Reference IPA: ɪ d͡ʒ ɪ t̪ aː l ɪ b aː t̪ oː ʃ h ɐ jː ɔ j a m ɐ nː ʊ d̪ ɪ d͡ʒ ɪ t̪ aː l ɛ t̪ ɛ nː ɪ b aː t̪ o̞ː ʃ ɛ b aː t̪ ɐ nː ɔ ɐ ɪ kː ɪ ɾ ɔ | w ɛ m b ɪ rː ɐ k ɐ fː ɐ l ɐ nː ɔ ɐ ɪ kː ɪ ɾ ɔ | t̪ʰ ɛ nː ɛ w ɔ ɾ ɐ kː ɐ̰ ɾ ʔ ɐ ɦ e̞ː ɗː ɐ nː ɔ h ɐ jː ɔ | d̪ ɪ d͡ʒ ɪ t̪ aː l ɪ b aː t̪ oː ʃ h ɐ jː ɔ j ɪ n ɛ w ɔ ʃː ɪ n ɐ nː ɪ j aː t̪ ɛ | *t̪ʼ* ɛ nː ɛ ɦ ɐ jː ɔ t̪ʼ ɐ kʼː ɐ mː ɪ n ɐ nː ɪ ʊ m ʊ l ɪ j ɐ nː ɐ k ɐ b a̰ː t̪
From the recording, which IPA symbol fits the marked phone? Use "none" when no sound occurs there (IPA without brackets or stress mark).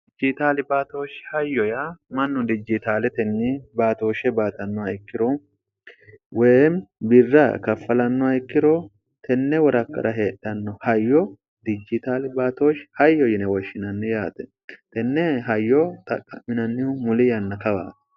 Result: t̪